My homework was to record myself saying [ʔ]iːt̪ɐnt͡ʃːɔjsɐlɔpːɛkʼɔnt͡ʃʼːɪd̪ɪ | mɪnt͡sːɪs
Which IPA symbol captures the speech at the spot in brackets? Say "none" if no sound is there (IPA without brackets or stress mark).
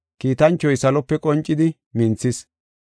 k